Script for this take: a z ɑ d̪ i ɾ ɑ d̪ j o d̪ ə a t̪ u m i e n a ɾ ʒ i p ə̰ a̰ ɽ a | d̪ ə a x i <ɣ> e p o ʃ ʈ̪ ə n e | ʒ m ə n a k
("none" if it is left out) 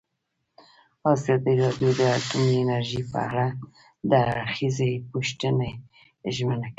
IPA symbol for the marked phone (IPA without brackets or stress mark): z